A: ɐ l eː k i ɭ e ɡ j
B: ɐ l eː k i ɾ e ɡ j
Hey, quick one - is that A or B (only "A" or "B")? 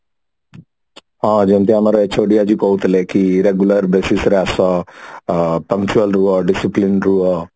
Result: B